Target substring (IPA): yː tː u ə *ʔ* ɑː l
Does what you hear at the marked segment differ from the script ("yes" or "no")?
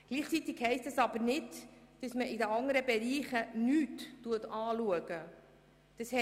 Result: yes